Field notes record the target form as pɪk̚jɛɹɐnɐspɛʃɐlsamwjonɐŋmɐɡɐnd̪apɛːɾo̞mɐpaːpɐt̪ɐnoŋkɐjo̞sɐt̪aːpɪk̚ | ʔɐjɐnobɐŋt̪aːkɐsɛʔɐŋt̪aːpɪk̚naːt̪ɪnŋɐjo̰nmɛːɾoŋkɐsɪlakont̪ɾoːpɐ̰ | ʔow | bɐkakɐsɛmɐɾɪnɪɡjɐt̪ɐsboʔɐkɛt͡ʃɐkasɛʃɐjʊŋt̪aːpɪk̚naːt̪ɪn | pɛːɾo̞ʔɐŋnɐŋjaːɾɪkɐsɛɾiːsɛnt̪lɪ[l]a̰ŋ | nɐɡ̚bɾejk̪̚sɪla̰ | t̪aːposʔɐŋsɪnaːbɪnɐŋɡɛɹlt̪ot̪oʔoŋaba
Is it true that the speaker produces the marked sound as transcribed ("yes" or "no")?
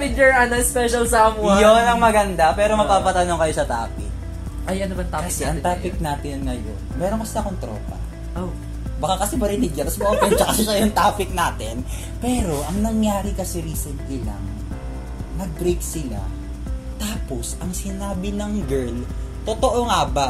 yes